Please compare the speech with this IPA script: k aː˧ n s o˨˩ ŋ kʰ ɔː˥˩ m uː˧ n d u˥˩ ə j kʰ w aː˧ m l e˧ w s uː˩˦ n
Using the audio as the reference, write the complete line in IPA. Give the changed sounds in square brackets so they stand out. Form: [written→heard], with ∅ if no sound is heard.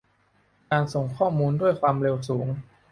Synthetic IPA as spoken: k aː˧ n s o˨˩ ŋ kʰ ɔː˥˩ m uː˧ n d u˥˩ ə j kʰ w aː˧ m [l→ɾ] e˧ w s uː˩˦ [n→ŋ]